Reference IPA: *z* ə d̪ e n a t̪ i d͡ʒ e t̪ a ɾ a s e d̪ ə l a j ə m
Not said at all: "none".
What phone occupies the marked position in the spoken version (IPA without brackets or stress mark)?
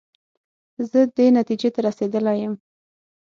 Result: z